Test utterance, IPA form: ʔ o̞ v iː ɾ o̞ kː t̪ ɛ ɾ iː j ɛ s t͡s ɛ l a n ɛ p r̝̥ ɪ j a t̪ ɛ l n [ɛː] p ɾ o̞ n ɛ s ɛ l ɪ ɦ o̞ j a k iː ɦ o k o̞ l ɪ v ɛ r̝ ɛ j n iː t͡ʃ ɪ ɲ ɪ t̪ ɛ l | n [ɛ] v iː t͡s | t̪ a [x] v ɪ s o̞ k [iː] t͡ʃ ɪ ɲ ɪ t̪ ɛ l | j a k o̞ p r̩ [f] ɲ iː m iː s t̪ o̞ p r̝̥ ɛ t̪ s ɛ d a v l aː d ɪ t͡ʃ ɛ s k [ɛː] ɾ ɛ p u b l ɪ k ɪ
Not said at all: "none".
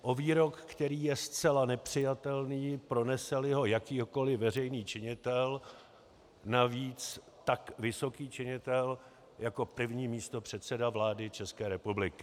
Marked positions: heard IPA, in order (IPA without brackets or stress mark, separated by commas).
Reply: iː, a, k, iː, v, ɛː